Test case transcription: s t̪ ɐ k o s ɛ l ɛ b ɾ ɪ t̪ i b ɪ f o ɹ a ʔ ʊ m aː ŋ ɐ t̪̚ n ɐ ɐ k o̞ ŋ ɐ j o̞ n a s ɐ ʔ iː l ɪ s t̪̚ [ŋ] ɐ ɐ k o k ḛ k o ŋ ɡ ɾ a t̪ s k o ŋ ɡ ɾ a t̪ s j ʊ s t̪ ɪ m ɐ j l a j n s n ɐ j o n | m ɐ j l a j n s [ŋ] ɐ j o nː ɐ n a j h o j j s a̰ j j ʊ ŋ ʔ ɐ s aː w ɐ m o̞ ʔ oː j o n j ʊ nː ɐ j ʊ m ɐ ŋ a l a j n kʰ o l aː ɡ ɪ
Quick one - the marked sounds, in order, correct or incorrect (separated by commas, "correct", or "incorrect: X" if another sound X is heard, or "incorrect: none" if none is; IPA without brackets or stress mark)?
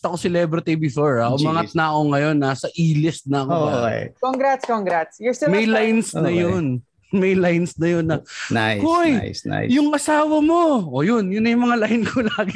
incorrect: n, incorrect: n